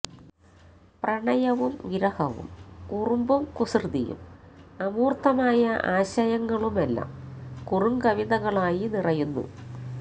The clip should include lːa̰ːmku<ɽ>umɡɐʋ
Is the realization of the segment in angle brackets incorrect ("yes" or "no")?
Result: yes